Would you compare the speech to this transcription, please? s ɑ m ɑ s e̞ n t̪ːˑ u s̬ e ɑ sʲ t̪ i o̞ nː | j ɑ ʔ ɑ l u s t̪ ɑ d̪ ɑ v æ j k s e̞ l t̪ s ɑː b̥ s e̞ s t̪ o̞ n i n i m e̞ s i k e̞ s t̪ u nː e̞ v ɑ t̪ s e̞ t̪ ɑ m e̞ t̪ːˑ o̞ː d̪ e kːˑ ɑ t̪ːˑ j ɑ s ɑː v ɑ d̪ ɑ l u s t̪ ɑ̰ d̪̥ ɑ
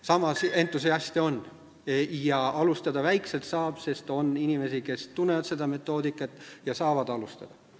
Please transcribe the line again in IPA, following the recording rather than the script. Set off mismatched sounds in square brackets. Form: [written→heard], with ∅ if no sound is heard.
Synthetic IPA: s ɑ m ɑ s e̞ n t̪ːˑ u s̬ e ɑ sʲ t̪ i o̞ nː | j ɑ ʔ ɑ l u s t̪ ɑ d̪ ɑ v æ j k s e̞ l t̪ s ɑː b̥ s e̞ s t̪ o̞ n i n i m e̞ s i k e̞ s t̪ u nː e̞ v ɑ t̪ s e̞ [t̪→d̪] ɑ m e̞ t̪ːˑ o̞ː d̪ [e→i] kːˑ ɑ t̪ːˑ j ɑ s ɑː v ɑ d̪ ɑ l u s t̪ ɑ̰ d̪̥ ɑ

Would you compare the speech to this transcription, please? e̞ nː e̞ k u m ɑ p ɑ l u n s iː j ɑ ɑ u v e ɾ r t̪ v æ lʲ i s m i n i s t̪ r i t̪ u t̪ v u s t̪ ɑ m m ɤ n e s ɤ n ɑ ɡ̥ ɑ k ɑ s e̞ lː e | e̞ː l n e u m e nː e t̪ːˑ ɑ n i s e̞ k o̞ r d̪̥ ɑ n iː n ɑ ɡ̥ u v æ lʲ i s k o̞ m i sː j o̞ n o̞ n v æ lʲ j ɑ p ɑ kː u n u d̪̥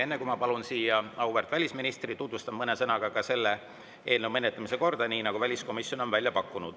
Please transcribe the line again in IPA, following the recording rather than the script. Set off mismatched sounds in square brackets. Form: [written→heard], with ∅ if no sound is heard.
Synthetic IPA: e̞ nː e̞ k u m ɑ p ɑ l u n s iː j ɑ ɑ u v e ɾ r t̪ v æ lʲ i s m i n i s t̪ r i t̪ u t̪ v u s t̪ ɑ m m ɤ n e s ɤ n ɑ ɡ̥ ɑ k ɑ s e̞ lː e | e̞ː l n e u m e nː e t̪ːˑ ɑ [n→m] i s e̞ k o̞ r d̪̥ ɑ n iː n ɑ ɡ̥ u v æ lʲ i s k o̞ m i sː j o̞ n o̞ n v æ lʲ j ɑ p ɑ kː u n u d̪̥

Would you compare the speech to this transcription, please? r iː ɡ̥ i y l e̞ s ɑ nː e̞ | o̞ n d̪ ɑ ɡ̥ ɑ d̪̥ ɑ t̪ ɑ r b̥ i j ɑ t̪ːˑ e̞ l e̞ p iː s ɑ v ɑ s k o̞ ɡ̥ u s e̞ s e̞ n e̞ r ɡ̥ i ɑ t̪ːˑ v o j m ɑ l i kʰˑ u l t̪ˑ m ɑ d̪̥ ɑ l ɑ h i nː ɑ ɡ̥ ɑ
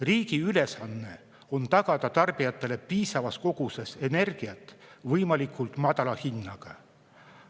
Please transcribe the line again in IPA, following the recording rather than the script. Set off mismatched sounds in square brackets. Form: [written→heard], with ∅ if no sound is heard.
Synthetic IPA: r iː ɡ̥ i y l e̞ s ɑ nː e̞ | o̞ n [d̪→t̪] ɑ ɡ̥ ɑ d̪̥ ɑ t̪ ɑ r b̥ i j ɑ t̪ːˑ e̞ l e̞ p iː s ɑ v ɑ s k o̞ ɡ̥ u s e̞ s e̞ n e̞ r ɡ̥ i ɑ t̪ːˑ v [o→ɤ] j m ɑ l i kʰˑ u l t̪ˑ m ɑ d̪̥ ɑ l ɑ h i nː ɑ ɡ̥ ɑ

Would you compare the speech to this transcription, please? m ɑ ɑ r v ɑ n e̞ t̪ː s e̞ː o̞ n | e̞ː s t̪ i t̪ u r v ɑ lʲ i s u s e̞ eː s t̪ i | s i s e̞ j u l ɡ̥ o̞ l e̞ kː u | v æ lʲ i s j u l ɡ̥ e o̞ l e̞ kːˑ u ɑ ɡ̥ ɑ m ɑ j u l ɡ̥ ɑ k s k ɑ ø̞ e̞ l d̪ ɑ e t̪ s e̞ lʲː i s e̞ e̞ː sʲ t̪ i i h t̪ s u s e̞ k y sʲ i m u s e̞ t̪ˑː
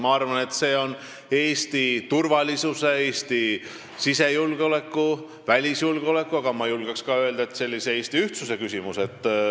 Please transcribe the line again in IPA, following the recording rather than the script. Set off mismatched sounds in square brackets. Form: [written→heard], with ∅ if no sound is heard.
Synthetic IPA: m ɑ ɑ r v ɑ n e̞ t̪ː s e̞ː o̞ n | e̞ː s t̪ i t̪ u r v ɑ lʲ i s u s e̞ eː s t̪ i | s i s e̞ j u l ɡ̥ o̞ l e̞ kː u | v æ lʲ i s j u l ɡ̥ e o̞ l e̞ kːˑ u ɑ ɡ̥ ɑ m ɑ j u l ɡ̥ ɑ k s k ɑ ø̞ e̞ l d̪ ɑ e t̪ s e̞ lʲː i s e̞ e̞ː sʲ t̪ i [i→y] h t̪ s u s e̞ k y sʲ i m u s e̞ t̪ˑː

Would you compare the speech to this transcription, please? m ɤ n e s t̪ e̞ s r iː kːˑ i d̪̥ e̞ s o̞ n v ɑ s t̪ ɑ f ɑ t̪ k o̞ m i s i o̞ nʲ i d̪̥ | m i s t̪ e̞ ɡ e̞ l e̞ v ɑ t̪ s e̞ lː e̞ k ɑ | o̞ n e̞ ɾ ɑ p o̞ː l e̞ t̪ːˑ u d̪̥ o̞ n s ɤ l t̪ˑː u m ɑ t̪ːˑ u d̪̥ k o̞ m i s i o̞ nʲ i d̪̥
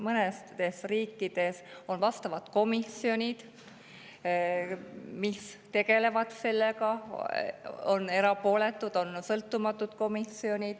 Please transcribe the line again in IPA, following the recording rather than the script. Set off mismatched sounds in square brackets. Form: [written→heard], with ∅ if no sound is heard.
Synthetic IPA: m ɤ n e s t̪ e̞ s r iː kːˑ i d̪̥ e̞ s o̞ n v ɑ s t̪ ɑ [f→v] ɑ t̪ k o̞ m i s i o̞ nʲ i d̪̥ | m i s t̪ e̞ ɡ e̞ l e̞ v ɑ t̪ s e̞ lː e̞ k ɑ | o̞ n e̞ ɾ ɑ p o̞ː l e̞ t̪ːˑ u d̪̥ o̞ n s ɤ l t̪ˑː u m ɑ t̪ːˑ u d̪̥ k o̞ m i s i o̞ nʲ i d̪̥

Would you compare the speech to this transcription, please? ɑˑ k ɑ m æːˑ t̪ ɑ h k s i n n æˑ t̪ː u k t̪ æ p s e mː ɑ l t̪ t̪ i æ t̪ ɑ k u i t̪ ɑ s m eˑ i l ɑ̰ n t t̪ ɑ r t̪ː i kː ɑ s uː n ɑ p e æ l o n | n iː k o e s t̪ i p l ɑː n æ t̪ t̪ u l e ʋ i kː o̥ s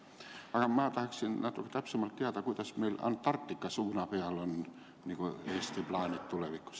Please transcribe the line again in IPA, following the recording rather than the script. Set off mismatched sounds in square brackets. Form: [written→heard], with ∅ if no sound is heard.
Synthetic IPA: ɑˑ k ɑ m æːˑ t̪ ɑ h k s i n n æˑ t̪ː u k t̪ æ p s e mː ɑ l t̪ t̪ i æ t̪ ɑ k u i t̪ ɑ s m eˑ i l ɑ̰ n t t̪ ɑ r t̪ː i kː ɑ s uː n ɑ p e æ l o n | n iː k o e s t̪ i p l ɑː n [æ→i] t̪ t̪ u l e ʋ i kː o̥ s

